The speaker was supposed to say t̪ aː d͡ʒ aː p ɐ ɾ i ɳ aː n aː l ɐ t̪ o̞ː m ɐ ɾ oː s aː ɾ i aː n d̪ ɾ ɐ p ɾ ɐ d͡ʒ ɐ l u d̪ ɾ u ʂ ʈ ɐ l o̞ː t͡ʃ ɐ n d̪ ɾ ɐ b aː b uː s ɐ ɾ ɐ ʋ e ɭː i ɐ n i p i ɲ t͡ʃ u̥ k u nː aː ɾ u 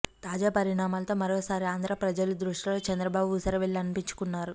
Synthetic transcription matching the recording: t̪ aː d͡ʒ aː p ɐ ɾ i ɳ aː m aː l ɐ t̪ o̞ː m ɐ ɾ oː s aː ɾ i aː n d̪ ɾ ɐ p ɾ ɐ d͡ʒ ɐ l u d̪ ɾ u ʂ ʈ ɐ l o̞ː t͡ʃ ɐ n d̪ ɾ ɐ b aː b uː s ɐ ɾ ɐ ʋ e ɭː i ɐ n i p i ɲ t͡ʃ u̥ k u nː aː ɾ u